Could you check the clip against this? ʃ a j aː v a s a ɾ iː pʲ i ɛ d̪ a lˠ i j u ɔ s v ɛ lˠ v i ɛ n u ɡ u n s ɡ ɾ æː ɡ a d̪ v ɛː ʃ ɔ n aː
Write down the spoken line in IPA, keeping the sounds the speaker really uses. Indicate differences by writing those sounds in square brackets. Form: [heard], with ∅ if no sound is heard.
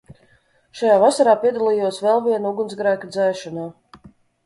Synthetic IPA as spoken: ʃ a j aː v a s a ɾ [aː] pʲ i ɛ d̪ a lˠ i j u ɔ s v ɛ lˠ v i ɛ n u ɡ u n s ɡ ɾ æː [k] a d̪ [z] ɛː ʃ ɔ n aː